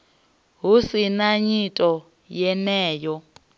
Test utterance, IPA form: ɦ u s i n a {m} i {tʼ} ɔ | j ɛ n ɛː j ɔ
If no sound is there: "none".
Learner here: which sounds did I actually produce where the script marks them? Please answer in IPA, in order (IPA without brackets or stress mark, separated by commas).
ɲ, tʼ